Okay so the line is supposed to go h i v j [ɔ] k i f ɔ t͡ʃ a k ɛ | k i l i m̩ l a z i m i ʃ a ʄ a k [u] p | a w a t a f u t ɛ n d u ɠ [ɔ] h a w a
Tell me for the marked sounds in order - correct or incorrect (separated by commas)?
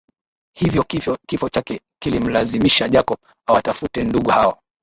correct, incorrect, incorrect